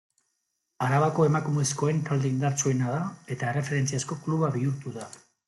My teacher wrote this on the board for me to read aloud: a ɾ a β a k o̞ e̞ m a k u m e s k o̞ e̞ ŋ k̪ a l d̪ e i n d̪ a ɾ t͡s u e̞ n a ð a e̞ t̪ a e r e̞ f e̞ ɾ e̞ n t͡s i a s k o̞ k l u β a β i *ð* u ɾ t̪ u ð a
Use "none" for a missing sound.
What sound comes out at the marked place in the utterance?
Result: none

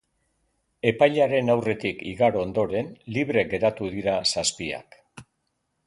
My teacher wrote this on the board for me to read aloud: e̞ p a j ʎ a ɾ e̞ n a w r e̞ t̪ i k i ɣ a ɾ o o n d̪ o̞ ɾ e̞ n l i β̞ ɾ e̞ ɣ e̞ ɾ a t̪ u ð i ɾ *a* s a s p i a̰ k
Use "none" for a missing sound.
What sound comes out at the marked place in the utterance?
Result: a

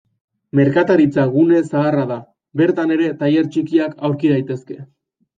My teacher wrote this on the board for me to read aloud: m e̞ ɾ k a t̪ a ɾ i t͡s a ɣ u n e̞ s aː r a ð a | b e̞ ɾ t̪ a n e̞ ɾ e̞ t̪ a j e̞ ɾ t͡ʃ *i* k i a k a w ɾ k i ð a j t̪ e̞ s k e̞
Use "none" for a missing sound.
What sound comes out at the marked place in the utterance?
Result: i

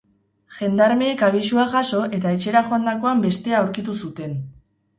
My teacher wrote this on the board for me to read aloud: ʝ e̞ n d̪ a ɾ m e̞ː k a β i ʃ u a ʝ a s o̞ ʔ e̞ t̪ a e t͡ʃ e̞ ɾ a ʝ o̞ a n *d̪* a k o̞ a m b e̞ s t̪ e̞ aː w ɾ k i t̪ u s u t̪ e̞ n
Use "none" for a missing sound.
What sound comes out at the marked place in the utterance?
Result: d̪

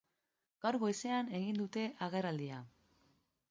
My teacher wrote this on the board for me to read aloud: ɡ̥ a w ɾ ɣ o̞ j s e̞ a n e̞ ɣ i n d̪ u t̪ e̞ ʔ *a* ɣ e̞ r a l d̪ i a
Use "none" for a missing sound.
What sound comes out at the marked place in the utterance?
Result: a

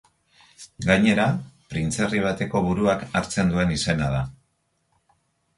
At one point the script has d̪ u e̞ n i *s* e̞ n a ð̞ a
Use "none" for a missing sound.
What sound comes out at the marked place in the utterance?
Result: s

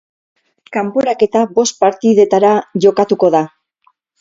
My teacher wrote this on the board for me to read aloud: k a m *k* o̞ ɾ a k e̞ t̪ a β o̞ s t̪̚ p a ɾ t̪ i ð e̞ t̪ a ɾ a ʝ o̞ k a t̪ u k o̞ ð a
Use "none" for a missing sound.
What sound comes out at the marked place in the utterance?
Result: p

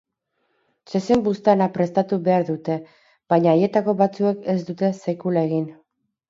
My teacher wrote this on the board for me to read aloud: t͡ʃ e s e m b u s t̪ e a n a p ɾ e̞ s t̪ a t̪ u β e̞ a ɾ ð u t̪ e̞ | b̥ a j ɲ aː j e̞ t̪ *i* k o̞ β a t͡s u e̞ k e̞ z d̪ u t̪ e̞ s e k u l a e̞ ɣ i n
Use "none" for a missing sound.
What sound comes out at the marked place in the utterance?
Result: a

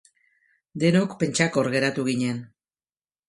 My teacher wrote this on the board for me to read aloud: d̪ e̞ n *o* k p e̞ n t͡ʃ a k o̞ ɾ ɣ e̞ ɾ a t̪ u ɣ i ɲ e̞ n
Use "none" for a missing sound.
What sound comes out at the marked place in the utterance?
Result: o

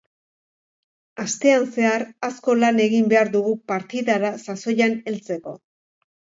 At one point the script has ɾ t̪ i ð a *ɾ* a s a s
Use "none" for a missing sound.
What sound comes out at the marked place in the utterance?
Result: ɾ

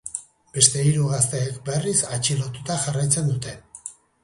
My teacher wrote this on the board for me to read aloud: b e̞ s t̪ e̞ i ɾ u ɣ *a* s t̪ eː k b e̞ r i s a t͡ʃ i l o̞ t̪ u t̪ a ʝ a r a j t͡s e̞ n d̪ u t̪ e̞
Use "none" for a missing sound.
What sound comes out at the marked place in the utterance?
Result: a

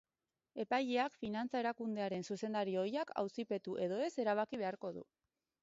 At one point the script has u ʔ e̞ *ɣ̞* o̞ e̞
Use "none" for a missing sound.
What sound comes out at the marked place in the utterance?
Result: ð̞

